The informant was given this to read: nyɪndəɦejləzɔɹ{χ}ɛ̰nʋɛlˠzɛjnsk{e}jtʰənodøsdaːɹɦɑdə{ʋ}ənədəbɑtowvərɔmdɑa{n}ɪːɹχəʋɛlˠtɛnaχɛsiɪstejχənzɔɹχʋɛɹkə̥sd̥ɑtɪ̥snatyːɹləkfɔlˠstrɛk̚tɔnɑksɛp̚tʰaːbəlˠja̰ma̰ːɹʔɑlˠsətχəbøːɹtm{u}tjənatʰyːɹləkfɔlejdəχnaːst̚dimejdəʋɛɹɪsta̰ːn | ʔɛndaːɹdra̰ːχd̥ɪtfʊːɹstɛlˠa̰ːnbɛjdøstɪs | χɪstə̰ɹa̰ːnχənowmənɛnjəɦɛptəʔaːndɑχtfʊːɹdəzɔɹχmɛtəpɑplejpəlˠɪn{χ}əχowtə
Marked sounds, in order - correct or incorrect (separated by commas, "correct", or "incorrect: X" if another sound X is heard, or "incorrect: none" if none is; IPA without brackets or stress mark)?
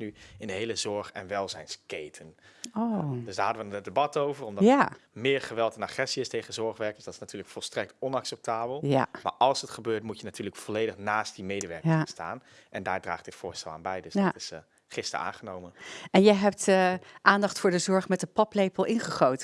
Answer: correct, correct, correct, incorrect: m, correct, correct